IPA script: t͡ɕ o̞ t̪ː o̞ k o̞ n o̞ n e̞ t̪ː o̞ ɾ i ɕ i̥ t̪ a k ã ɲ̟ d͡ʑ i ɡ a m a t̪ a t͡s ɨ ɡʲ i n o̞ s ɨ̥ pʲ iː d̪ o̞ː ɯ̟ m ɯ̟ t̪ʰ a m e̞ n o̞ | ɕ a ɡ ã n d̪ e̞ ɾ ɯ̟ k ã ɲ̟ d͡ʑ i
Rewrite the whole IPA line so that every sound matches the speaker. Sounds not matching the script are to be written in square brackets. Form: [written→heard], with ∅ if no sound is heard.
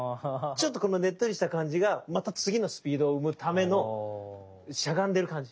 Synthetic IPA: t͡ɕ o̞ t̪ː o̞ k o̞ n o̞ n e̞ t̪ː o̞ ɾ i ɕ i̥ t̪ a k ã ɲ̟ d͡ʑ i ɡ a m a t̪ a t͡s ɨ ɡʲ i n o̞ s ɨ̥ pʲ iː d̪ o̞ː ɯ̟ m ɯ̟ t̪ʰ a m e̞ n o̞ | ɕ a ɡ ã n d̪ e̞ ɾ ɯ̟ k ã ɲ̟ d͡ʑ i